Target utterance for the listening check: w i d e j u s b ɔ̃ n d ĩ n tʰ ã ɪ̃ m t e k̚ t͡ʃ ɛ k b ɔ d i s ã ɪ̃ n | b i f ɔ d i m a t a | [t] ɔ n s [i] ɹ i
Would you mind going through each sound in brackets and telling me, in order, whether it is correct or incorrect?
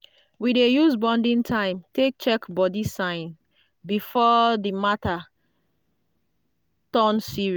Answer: correct, correct

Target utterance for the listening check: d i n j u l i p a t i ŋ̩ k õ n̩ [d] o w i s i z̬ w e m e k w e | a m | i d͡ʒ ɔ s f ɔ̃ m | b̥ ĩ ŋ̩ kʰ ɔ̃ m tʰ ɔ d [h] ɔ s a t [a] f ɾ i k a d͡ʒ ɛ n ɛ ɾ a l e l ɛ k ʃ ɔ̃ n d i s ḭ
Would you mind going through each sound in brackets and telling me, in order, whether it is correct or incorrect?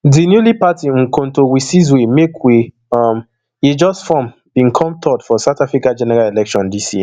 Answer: incorrect, incorrect, correct

